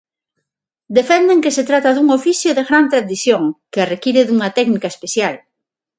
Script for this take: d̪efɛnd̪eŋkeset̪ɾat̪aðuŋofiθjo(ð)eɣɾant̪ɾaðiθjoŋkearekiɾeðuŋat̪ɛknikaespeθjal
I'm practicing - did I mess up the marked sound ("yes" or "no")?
no